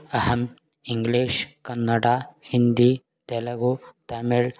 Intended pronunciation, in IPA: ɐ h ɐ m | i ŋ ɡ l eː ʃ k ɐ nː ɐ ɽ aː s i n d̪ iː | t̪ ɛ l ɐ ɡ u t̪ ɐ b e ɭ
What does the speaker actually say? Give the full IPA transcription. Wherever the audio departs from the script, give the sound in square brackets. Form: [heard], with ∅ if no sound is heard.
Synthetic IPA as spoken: ɐ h ɐ m | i ŋ ɡ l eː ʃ k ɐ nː ɐ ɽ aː [h] i n d̪ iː | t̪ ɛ l ɐ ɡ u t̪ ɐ [m] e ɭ